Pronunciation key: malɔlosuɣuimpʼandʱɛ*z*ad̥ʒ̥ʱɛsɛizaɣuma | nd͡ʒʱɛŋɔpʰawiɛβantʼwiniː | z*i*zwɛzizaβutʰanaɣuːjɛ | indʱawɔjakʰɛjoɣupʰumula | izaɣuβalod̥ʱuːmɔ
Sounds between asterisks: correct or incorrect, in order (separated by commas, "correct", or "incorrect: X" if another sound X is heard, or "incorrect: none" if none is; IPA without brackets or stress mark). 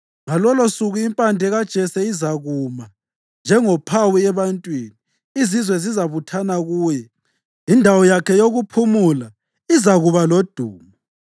incorrect: ɣ, correct